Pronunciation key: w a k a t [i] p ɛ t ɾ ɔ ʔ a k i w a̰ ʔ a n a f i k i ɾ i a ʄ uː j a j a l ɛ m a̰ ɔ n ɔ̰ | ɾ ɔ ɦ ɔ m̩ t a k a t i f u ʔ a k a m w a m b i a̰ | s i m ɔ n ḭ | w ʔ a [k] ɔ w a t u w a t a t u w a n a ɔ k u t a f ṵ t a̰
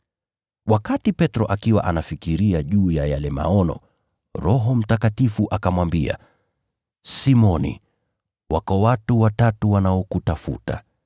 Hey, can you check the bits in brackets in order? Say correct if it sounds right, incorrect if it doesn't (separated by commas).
correct, correct